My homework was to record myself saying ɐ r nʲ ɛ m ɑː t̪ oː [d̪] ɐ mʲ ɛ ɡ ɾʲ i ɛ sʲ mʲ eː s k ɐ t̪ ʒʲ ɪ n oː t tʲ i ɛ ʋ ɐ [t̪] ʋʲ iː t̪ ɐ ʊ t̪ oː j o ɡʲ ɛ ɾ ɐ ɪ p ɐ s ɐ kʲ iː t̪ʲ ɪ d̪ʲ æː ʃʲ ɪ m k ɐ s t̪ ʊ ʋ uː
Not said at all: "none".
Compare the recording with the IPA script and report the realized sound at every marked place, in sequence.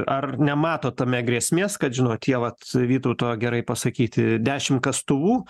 t̪, t̪

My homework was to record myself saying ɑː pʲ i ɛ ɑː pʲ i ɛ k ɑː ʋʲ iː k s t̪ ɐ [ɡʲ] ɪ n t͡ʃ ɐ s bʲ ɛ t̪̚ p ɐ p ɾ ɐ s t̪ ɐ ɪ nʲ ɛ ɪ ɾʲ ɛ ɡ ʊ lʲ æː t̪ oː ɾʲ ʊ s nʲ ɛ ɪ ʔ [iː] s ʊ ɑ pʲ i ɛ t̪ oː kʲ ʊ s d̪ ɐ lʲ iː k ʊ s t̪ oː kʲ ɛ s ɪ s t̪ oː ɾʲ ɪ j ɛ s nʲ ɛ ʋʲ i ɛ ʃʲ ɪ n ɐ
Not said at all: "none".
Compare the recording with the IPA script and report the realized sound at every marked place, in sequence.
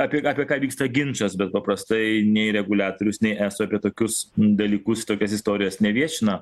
ɡʲ, æː

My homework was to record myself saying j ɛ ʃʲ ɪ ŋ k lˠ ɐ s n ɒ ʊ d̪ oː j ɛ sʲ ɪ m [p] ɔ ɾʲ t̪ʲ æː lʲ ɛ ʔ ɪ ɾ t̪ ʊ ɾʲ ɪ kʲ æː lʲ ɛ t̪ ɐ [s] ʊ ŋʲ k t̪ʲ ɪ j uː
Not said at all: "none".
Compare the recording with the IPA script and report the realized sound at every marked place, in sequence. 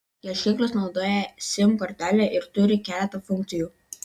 k, f

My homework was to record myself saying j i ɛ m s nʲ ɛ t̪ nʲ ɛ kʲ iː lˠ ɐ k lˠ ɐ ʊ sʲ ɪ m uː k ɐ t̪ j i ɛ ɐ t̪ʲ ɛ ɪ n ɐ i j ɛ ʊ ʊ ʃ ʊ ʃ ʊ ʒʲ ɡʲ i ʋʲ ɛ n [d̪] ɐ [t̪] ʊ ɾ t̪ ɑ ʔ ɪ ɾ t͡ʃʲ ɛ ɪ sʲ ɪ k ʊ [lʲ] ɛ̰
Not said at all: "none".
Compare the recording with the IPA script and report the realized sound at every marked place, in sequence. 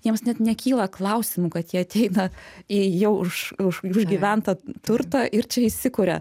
t̪, t̪, ɾʲ

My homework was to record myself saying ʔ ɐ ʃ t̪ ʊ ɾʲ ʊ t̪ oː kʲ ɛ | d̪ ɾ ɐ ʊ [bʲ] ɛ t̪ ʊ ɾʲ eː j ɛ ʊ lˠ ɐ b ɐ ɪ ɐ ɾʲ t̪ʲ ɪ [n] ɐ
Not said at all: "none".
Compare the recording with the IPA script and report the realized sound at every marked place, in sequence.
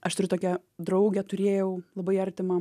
ɡʲ, m

